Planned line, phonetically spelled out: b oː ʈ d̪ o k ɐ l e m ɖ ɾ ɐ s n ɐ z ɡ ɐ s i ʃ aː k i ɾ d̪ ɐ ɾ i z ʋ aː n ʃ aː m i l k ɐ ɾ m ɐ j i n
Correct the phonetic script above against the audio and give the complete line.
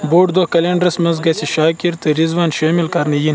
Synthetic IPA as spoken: b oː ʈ d̪ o k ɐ l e ɳ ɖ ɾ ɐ s m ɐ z ɡ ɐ s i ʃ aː k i ɾ t̪ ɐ ɾ i z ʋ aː n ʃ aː m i l k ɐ ɾ n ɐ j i n